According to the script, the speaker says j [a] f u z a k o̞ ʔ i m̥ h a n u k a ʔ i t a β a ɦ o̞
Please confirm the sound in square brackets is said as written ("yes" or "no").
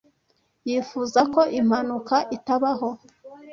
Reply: no